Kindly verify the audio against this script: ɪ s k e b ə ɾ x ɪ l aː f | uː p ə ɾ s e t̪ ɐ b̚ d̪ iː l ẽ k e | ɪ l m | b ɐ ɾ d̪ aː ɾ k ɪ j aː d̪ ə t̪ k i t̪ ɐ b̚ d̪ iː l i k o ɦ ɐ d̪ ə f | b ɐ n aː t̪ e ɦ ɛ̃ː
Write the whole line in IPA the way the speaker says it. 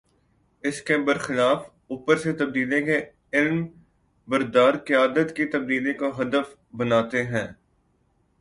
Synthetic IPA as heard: ɪ s k e b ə ɾ x ɪ l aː f | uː p ə ɾ s e t̪ ɐ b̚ d̪ iː l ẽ k e | ɪ l m | b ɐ ɾ d̪ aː ɾ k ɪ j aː d̪ ə t̪ k i t̪ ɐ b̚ d̪ iː l e k o ɦ ɐ d̪ ə f | b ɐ n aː t̪ e ɦ ɛ̃ː